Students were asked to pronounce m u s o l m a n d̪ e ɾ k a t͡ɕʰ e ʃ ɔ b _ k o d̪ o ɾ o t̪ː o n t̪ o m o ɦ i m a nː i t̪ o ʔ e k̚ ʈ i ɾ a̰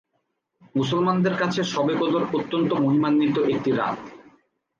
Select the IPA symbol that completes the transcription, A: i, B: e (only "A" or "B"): B